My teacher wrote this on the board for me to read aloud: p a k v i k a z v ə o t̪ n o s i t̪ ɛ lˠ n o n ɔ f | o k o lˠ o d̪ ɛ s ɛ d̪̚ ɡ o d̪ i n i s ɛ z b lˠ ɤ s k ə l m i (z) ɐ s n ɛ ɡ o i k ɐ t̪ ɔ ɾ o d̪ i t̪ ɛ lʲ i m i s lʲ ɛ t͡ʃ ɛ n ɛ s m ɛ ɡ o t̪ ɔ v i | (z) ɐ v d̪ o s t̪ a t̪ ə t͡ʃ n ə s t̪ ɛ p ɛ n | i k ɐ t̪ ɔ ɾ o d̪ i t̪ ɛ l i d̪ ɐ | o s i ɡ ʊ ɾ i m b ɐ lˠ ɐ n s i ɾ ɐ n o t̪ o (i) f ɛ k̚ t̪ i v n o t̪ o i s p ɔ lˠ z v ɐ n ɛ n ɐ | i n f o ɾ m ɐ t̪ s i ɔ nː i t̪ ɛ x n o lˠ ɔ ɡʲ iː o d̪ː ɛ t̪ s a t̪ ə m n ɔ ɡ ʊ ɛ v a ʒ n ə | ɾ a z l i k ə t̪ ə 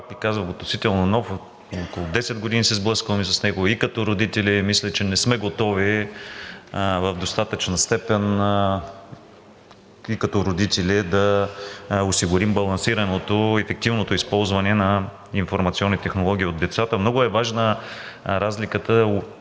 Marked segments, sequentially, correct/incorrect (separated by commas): incorrect, incorrect, incorrect